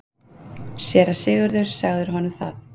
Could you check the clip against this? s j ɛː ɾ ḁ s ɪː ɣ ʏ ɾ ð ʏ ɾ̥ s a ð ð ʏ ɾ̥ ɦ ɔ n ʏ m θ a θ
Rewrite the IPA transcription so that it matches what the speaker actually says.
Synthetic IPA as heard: s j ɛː ɾ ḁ s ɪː ɣ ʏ ɾ ð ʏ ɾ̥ s a ɣ ð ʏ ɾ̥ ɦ ɔ n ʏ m θ a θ